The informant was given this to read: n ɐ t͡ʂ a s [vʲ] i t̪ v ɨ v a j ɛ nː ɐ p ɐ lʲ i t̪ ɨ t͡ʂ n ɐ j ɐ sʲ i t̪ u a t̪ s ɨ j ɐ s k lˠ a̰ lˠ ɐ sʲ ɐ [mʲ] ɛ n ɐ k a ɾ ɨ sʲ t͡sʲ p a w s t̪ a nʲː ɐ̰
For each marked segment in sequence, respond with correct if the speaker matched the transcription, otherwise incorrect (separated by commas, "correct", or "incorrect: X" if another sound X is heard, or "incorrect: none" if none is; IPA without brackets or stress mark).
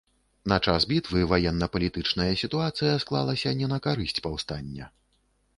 incorrect: bʲ, incorrect: nʲ